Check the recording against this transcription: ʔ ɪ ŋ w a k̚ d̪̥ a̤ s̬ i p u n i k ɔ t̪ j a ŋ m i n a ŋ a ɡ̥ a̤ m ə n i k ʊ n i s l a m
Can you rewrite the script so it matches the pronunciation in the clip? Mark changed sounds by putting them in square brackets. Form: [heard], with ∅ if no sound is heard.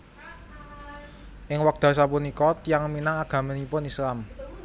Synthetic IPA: ʔ ɪ ŋ w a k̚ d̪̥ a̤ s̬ [a] p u n i k ɔ t̪ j a ŋ m i n a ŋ a ɡ̥ a̤ m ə n i [p] ʊ n i s l a m

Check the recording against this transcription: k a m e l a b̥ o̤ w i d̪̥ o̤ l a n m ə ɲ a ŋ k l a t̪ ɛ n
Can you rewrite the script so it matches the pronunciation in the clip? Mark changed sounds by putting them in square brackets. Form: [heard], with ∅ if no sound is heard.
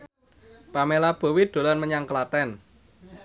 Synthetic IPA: [p] a m e l a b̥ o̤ w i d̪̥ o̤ l a n m ə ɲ a ŋ k l a t̪ ɛ n

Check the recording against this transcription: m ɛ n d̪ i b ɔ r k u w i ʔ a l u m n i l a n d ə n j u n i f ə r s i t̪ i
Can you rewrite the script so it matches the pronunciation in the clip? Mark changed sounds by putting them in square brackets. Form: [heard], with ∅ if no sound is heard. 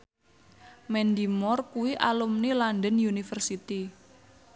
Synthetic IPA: m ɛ n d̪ i [m] ɔ r k u w i ʔ a l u m n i l a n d ə n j u n i f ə r s i t̪ i

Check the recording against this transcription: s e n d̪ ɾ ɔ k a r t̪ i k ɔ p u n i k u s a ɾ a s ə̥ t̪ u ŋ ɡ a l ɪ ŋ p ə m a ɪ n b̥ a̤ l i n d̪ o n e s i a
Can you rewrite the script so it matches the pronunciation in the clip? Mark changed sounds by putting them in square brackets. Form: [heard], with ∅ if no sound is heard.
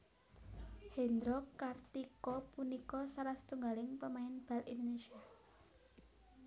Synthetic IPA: [h] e n d̪ ɾ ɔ k a r t̪ i k ɔ p u n i k [ɔ] s a ɾ a s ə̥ t̪ u ŋ ɡ a l ɪ ŋ p ə m a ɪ n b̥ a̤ l i n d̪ o n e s i a

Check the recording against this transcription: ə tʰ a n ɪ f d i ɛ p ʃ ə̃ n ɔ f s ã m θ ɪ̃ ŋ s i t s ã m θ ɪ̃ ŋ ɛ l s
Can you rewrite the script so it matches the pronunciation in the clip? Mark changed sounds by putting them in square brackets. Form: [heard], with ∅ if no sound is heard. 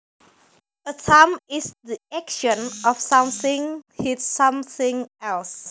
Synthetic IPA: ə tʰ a [m] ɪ [s] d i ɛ [k] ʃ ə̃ n ɔ f s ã m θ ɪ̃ ŋ [h] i t s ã m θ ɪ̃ ŋ ɛ l s

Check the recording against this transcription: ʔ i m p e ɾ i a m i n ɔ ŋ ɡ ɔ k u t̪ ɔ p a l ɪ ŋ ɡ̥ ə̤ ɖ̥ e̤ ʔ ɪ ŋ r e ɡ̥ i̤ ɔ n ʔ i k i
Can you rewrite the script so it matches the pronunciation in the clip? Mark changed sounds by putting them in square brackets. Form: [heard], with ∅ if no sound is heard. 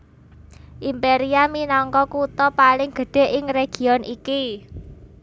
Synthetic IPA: ʔ i m p e ɾ i a m i n ɔ ŋ [k] ɔ k u t̪ ɔ p a l ɪ ŋ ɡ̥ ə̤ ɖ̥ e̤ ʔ ɪ ŋ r e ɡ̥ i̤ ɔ n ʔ i k i

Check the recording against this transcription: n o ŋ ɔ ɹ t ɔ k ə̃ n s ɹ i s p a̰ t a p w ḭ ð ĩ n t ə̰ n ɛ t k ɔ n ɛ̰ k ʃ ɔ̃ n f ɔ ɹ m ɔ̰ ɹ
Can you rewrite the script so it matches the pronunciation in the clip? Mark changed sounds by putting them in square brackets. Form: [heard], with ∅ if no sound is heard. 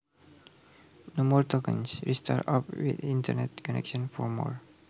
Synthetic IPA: n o [m] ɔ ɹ t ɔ k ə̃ n s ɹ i s [t] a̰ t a p w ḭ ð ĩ n t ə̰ n ɛ t k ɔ n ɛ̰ k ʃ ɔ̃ n f ɔ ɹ m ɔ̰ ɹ

